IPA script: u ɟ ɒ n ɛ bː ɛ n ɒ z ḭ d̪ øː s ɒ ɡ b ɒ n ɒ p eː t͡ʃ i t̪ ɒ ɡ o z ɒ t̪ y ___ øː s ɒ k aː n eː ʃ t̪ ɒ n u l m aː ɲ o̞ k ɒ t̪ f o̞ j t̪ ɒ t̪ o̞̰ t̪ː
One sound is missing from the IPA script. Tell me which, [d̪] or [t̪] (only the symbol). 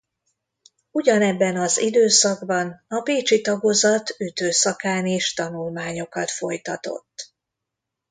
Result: t̪